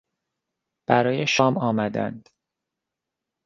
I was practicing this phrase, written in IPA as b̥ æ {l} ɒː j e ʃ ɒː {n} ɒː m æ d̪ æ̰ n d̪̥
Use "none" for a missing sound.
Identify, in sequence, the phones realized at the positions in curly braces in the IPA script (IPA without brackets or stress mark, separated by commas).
ɾ, m